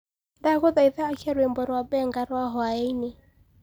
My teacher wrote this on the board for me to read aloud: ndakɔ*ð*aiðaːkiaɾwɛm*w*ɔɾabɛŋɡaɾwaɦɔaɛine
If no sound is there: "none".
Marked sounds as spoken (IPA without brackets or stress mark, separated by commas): ð, b